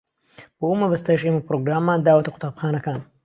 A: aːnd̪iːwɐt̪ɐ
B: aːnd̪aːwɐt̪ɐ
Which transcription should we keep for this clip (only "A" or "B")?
B